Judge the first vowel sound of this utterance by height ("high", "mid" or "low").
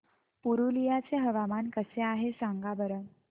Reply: high